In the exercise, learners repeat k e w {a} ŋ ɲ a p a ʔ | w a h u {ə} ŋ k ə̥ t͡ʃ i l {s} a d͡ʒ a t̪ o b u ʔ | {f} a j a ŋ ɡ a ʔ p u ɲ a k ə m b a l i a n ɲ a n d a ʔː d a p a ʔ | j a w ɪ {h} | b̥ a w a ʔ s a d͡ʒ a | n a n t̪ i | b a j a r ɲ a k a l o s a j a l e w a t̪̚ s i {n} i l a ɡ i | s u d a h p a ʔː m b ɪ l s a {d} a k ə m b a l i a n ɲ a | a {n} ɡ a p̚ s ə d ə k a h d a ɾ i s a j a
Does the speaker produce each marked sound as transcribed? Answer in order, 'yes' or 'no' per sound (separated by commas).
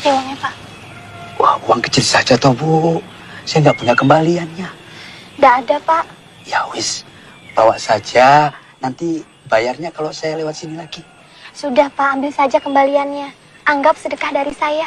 yes, no, yes, no, no, yes, no, no